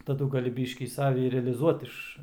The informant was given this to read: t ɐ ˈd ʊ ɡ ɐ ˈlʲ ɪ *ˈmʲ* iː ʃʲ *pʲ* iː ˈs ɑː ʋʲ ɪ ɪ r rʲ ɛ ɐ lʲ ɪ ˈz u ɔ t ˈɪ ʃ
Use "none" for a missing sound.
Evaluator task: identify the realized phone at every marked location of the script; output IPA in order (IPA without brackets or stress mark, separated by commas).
bʲ, kʲ